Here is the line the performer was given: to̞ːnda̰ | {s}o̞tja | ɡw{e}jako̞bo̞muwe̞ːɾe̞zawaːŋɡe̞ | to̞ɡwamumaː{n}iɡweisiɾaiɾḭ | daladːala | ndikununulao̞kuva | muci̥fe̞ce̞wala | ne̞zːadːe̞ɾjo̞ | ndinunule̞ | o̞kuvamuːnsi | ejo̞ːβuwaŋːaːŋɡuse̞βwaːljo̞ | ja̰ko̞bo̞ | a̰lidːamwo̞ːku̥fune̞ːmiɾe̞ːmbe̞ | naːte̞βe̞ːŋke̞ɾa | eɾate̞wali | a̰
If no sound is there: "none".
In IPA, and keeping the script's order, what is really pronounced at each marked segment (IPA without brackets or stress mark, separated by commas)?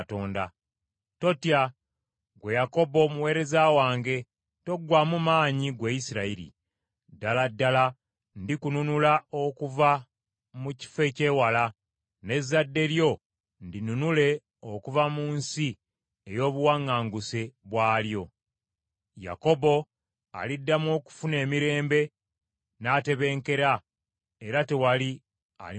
t, e, ɲ